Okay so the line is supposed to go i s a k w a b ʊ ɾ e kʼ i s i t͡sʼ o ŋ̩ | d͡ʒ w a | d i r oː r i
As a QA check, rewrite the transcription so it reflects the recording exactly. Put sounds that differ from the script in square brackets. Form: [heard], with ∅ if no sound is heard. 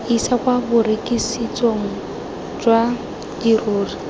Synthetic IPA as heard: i s a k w a b ʊ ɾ e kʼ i s i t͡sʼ o ŋ̩ | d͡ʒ w a | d i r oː r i